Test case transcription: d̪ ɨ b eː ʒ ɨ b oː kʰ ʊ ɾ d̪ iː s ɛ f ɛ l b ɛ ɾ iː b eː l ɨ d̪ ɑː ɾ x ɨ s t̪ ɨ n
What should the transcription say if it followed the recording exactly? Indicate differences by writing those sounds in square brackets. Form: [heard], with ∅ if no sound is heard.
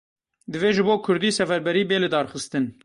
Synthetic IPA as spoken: d̪ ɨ [v] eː ʒ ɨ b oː kʰ ʊ ɾ d̪ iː s ɛ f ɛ [ɾ] b ɛ ɾ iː b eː l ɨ d̪ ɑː ɾ x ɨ s t̪ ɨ n

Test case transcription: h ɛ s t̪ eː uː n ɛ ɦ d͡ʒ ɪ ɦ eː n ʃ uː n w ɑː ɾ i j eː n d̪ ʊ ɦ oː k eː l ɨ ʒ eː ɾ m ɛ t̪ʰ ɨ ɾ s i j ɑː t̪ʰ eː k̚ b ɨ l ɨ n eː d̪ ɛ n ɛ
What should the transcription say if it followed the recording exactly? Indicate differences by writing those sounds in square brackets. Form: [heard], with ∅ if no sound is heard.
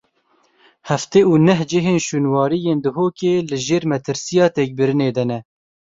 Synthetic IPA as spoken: h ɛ [f] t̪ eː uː n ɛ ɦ d͡ʒ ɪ ɦ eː n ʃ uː n w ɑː ɾ i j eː n d̪ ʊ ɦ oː k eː l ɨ ʒ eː ɾ m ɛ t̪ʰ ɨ ɾ s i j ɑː [t̪] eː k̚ b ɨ [ɾ] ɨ n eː d̪ ɛ n ɛ

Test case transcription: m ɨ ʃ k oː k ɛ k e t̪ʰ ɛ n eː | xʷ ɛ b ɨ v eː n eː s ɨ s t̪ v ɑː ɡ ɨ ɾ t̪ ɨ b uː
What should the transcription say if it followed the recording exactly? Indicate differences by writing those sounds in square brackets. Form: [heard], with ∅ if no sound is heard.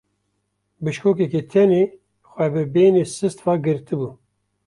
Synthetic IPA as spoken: [b] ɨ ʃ k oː k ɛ k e t̪ʰ ɛ n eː | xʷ ɛ b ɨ [b] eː n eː s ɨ s t̪ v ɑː ɡ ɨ ɾ t̪ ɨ b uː

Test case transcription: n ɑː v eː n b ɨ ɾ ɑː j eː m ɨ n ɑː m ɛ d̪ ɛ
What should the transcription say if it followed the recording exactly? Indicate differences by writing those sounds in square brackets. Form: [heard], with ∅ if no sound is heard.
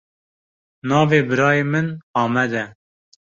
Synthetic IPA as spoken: n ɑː v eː [∅] b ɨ ɾ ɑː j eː m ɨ n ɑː m ɛ d̪ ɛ

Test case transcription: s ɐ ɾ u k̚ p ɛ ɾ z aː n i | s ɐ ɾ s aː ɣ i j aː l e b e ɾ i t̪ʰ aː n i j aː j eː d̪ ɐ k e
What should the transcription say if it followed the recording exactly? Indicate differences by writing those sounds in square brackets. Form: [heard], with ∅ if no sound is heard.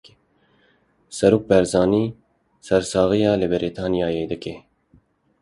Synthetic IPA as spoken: s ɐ ɾ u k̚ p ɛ ɾ z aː n i | s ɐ ɾ s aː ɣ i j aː l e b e ɾ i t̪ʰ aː n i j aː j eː d̪ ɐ k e

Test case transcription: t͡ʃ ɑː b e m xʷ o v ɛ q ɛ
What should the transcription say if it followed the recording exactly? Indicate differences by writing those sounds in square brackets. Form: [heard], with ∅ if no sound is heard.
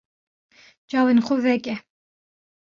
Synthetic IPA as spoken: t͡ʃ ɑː [w] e [n] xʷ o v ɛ [k] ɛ

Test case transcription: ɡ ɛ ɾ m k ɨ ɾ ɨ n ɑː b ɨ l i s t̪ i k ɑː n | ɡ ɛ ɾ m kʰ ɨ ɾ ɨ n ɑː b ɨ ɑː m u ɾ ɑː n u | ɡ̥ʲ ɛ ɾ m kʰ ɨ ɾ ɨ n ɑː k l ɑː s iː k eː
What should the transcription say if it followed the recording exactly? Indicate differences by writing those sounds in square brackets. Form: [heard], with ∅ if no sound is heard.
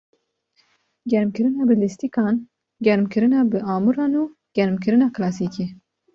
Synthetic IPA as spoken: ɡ ɛ ɾ m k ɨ ɾ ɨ n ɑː b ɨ l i s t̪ i k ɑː n | ɡ ɛ ɾ m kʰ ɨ ɾ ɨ n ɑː b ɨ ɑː m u ɾ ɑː n u | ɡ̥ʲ ɛ ɾ m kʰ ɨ ɾ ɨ n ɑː k l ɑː s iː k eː

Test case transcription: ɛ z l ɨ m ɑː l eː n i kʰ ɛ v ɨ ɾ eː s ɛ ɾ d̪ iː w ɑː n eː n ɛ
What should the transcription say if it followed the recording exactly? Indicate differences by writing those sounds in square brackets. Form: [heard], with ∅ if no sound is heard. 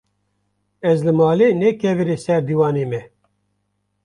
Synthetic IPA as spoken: ɛ z l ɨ m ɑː l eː n [ɛ] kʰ ɛ v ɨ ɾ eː s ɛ ɾ d̪ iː w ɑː n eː [m] ɛ

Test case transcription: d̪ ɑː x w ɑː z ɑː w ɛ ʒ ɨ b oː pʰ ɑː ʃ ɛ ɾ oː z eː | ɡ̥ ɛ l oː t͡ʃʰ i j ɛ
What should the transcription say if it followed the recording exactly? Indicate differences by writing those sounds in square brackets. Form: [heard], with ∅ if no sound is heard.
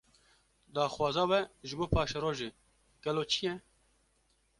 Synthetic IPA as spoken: d̪ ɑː x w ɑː z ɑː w ɛ ʒ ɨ b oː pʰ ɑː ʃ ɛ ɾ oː [ʒ] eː | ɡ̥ ɛ l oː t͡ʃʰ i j ɛ

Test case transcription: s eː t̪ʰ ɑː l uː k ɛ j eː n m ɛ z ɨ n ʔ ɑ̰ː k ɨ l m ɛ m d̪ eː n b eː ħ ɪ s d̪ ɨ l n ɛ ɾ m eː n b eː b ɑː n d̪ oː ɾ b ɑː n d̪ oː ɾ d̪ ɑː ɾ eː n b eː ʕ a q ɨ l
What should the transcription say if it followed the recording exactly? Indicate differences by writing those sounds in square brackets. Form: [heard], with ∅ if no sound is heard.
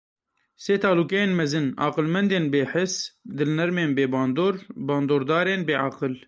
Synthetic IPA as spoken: s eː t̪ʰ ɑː l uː k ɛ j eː n m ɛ z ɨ n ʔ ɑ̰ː [q] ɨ l m ɛ [n] d̪ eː n b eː ħ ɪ s d̪ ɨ l n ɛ ɾ m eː n b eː b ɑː n d̪ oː ɾ b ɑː n d̪ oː ɾ d̪ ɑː ɾ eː n b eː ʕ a q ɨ l

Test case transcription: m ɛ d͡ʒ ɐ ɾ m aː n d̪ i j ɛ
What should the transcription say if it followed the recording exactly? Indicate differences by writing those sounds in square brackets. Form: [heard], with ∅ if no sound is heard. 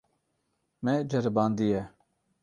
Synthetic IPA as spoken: m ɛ d͡ʒ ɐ ɾ [b] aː n d̪ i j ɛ

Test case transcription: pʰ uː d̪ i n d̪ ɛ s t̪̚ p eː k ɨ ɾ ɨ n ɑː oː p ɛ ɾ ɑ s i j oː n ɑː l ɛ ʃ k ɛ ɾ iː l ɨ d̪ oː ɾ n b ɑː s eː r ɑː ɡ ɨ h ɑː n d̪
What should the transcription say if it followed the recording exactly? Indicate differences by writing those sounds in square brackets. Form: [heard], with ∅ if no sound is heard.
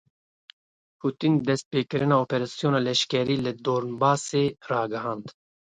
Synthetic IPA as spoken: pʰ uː [t̪] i n d̪ ɛ s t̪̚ p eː k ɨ ɾ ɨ n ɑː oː p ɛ ɾ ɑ s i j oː n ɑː l ɛ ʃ k ɛ ɾ iː l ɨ d̪ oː ɾ n b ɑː s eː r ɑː ɡ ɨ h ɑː n d̪

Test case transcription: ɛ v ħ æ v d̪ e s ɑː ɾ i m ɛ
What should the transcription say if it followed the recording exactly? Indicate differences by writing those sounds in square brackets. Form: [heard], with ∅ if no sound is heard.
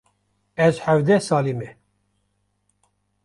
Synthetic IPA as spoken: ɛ [z] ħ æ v d̪ [ɛ] s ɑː [l] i m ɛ

